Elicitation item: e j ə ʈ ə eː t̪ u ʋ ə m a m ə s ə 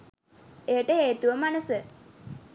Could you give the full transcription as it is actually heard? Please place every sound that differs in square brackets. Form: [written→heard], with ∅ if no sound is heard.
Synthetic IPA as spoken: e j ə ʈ ə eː t̪ u ʋ ə m a [m→n] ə s ə